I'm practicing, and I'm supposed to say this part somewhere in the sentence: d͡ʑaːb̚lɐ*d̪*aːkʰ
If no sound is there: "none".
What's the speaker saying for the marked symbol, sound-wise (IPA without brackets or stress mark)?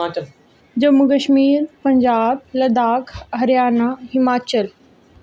d̪